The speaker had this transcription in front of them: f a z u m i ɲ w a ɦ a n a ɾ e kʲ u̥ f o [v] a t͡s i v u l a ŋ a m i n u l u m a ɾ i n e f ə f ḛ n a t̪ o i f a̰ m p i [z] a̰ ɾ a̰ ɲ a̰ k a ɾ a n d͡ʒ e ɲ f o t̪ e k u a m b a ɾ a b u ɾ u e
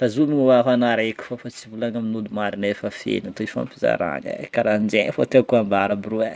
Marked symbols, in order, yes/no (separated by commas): no, yes